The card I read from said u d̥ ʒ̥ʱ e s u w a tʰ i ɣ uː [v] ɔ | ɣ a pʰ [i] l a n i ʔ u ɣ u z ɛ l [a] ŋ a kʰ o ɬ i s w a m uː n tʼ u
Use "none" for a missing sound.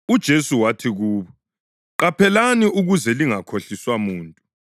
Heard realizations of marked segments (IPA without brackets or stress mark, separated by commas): β, ɛ, i